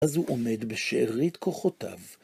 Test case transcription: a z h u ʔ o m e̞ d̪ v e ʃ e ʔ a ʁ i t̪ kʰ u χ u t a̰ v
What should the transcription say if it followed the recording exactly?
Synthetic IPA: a z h u ʔ o m e̞ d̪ b e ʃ e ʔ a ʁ i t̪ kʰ o χ o t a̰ v